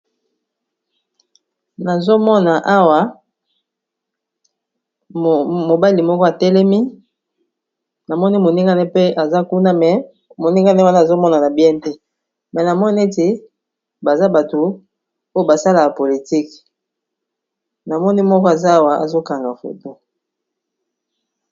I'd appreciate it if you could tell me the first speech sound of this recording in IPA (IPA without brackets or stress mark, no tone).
n